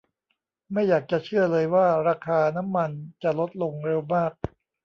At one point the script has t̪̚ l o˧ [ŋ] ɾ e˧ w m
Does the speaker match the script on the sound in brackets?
yes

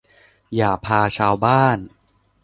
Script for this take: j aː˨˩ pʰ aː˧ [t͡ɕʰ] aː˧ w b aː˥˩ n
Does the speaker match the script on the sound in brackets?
yes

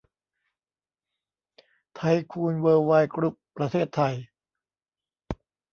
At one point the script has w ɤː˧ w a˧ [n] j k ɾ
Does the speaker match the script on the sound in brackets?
no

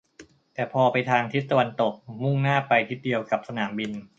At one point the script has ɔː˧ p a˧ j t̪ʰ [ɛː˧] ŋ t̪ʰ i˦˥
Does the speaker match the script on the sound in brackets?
no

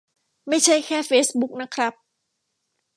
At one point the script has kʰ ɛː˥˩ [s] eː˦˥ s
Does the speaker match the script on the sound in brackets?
no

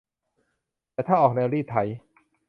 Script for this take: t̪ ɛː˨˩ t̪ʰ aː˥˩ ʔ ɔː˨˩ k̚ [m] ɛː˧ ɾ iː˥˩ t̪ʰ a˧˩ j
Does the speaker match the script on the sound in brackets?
no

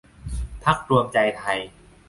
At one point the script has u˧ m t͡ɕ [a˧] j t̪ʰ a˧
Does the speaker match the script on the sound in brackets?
yes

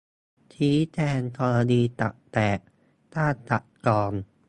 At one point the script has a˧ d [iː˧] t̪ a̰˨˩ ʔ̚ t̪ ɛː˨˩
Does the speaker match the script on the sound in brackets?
yes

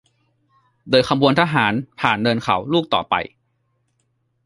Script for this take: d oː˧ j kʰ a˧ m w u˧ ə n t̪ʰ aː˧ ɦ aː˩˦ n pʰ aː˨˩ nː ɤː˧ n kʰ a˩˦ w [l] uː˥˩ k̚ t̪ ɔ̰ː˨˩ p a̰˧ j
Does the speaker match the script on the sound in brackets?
yes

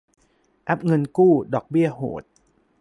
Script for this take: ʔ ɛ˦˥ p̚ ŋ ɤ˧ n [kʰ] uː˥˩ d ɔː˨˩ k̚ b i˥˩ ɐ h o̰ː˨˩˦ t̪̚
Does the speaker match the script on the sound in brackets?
no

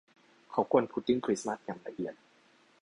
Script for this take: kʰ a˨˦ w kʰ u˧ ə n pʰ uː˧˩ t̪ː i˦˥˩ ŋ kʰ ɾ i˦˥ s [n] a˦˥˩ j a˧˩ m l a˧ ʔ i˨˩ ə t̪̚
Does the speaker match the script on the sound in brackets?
no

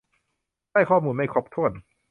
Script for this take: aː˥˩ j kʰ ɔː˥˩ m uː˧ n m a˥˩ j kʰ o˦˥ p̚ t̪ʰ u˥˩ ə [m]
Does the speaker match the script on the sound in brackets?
no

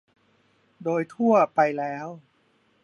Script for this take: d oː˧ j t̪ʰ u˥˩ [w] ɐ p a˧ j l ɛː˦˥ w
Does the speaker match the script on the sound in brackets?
no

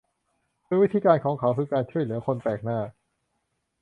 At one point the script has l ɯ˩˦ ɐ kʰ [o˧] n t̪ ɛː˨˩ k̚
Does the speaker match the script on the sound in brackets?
yes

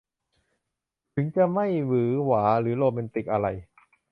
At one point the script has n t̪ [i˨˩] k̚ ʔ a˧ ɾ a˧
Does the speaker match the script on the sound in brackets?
yes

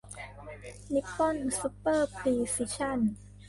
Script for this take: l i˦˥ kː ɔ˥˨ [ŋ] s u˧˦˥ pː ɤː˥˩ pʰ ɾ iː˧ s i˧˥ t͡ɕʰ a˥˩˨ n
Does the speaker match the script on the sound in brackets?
no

